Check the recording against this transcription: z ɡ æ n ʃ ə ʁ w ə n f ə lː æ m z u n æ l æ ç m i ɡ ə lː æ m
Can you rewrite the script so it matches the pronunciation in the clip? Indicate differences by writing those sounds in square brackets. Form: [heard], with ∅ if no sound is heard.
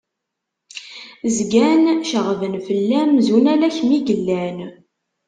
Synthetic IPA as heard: z ɡ æ n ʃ ə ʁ [v] ə n f ə lː æ m z u n æ l æ ç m i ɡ ə lː æ [n]